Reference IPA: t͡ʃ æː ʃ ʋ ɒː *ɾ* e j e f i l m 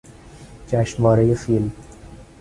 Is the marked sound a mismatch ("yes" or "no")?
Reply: no